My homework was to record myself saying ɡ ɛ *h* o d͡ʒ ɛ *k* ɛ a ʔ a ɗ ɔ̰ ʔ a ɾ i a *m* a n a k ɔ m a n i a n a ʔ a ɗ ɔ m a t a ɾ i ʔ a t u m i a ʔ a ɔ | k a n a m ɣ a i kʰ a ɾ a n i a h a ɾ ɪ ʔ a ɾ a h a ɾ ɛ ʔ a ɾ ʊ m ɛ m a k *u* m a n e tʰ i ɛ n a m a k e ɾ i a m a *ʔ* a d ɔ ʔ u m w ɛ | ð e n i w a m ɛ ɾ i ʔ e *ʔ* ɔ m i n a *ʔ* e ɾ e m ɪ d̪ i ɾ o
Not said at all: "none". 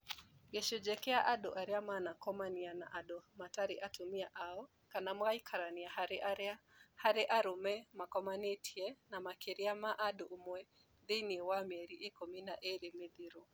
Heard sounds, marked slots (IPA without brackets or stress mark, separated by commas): ʃ, k, m, ɔ, ʔ, k, ʔ